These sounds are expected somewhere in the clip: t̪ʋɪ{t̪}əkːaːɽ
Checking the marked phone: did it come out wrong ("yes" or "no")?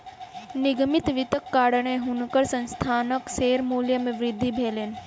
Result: no